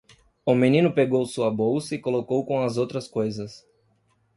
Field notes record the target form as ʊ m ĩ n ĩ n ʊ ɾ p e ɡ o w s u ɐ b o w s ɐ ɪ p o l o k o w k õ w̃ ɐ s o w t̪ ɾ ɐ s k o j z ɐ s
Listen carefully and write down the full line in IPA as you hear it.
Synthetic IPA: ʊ m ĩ n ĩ n ʊ p e ɡ o w s u ɐ b o w s ɐ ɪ k o l o k o w k õ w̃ ɐ z o w t̪ ɾ ɐ s k o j z ɐ s